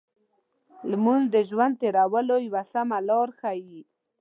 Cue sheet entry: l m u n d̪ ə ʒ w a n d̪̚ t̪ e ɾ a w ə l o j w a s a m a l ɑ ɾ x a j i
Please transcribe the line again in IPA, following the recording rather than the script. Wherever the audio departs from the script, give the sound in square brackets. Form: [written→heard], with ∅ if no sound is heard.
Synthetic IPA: l m u n d̪ ə ʒ w a n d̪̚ t̪ e ɾ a w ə l o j w a s a m a l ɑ ɾ x a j i